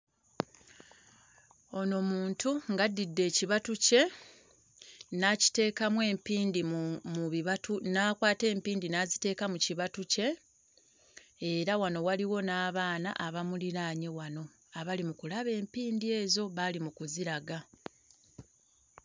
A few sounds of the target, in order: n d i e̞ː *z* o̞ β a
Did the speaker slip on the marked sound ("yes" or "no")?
no